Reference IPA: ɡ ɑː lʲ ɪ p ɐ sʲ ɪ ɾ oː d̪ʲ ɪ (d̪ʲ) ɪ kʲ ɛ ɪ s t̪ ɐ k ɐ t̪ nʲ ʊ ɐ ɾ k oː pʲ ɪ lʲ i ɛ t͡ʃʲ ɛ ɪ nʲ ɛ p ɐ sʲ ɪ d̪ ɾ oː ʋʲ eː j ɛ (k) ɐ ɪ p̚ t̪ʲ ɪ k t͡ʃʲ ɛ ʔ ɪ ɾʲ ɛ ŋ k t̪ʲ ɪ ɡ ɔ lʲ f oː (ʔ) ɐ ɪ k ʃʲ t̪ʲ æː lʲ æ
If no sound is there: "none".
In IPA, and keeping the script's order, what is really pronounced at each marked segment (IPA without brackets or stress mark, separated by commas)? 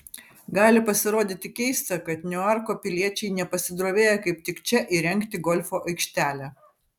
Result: t̪ʲ, k, ʔ